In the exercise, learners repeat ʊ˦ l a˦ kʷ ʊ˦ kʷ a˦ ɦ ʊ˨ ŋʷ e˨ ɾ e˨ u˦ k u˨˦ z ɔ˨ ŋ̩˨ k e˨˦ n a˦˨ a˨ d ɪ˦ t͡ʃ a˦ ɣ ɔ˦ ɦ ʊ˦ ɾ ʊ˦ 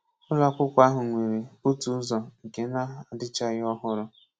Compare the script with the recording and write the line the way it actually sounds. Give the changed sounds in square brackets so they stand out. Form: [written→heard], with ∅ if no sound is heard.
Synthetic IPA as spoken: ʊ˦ l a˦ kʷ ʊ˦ kʷ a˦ ɦ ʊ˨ ŋʷ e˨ ɾ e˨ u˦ [k→t] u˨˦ z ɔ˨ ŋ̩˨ k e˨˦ n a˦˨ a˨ d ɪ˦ t͡ʃ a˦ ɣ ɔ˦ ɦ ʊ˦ ɾ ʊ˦